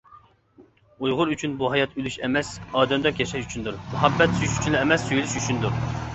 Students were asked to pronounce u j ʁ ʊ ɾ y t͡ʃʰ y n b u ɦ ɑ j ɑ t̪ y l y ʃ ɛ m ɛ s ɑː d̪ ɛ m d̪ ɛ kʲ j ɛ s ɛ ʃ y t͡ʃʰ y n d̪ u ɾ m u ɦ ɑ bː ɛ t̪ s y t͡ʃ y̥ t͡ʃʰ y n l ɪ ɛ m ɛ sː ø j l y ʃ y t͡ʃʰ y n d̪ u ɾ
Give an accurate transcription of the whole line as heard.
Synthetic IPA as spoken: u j ʁ ʊ ɾ y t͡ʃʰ y n b u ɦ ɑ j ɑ t̪ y l y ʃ ɛ m ɛ s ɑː d̪ ɛ m d̪ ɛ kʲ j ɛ ʃ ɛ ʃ y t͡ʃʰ y n d̪ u ɾ m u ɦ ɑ bː ɛ t̪ s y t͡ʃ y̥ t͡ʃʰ y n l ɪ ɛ m ɛ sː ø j l y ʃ y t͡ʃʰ y n d̪ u ɾ